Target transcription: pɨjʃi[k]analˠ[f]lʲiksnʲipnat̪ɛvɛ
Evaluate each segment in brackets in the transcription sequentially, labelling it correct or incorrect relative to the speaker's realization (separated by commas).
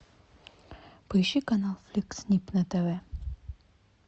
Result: correct, correct